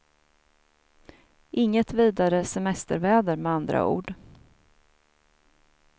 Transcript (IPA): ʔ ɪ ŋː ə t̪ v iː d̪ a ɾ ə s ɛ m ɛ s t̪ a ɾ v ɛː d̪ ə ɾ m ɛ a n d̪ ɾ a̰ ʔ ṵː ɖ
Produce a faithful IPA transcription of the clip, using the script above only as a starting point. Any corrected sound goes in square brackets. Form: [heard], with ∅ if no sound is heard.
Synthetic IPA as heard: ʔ ɪ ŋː ə t̪ v iː d̪ a ɾ ə s ɛ m ɛ s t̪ [ə] ɾ v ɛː d̪ ə ɾ m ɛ a n d̪ ɾ a̰ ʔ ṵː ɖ